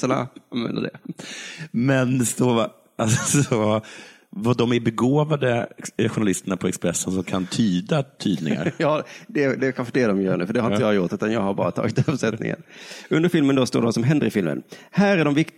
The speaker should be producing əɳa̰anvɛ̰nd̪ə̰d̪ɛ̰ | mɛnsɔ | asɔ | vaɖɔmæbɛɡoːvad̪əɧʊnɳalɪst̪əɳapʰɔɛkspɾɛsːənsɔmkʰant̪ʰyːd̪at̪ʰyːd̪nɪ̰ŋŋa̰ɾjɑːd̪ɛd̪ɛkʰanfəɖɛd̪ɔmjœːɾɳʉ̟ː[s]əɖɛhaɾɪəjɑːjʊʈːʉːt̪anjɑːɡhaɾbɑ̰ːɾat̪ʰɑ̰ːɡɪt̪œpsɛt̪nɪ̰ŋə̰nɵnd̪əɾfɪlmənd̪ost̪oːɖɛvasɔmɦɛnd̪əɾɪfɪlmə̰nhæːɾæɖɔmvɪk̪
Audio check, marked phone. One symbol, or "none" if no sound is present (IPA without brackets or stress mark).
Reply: f